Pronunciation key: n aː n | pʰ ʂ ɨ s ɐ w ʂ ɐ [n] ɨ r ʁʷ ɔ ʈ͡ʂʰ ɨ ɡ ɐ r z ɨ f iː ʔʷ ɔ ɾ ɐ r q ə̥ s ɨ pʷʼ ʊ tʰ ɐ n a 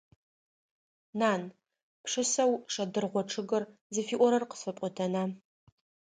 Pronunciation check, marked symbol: incorrect: d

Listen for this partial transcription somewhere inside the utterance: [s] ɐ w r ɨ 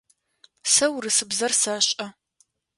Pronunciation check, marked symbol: correct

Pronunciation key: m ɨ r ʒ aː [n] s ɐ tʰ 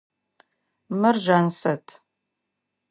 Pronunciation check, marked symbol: correct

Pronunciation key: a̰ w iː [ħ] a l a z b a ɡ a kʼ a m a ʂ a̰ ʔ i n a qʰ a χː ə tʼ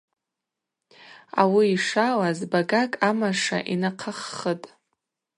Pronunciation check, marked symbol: incorrect: ʂ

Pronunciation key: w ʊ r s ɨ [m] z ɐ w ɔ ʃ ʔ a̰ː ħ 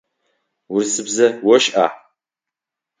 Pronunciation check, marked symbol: incorrect: b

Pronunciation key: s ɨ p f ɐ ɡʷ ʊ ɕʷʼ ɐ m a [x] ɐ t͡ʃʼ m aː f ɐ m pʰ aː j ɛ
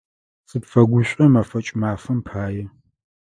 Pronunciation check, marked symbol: incorrect: f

